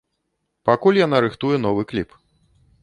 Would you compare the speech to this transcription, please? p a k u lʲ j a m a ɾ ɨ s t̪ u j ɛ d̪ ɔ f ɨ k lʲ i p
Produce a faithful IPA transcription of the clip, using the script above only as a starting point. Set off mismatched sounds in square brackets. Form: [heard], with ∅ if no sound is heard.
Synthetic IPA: p a k u lʲ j a [n] a ɾ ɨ [x] t̪ u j ɛ [n̪] ɔ [v] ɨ k lʲ i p

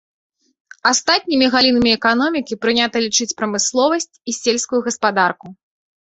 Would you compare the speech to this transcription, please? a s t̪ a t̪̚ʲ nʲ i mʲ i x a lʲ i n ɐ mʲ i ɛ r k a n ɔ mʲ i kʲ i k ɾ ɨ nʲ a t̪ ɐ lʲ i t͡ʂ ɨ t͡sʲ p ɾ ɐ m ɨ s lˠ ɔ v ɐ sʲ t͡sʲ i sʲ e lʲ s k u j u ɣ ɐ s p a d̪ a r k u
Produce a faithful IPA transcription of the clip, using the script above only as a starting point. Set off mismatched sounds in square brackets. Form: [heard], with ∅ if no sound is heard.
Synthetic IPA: a s t̪ a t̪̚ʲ nʲ i mʲ i [ɣ] a lʲ i n ɐ mʲ i ɛ [∅] k a n ɔ mʲ i kʲ i [p] ɾ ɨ nʲ a t̪ ɐ lʲ i t͡ʂ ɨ t͡sʲ p ɾ ɐ m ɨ s lˠ ɔ v ɐ sʲ t͡sʲ i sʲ e lʲ s k u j u ɣ ɐ s p a d̪ a r k u

